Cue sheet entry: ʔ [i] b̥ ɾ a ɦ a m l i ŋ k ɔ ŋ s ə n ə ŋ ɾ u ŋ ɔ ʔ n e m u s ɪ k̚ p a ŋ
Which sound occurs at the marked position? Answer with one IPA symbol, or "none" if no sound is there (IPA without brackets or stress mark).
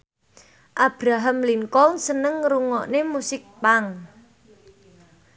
a